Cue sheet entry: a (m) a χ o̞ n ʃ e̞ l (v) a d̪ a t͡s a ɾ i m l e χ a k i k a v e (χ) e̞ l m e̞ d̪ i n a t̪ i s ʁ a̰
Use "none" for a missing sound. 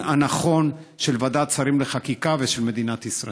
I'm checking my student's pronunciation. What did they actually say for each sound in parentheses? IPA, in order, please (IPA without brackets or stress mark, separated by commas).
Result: n, v, ʃ